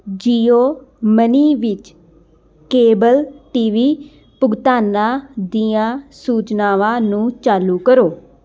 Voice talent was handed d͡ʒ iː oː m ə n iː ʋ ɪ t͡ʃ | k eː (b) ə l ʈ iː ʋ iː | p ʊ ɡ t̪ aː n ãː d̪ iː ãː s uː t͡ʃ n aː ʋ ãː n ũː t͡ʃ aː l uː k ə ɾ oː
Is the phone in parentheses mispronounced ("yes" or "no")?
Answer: no